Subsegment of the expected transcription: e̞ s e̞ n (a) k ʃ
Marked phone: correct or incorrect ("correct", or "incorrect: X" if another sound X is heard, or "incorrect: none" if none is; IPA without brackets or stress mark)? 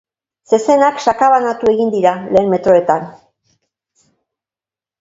correct